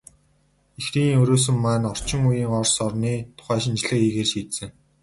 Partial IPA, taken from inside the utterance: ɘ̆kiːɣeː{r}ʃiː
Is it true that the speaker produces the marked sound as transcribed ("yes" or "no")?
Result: yes